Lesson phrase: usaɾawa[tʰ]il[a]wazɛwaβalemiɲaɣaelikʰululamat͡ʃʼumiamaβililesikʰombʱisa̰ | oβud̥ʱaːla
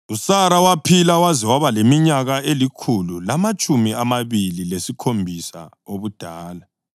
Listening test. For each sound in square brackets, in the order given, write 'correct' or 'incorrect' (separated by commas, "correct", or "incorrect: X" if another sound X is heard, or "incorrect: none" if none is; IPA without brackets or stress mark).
incorrect: pʰ, correct